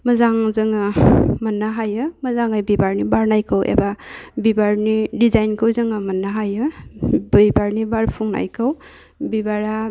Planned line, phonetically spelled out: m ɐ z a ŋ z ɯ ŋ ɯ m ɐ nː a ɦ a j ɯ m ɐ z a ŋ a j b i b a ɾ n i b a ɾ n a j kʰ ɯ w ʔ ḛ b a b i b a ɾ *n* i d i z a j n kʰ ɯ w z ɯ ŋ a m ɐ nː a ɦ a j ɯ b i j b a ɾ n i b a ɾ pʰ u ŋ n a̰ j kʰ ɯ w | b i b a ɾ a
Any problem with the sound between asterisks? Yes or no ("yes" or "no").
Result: no